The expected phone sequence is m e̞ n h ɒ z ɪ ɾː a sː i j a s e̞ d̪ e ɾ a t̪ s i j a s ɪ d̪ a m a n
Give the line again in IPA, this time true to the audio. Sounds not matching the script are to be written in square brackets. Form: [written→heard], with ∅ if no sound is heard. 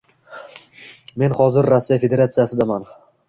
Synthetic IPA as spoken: m e̞ n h ɒ z ɪ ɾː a sː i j a [s→f] e̞ d̪ e ɾ a t̪ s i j a s ɪ d̪ a m a n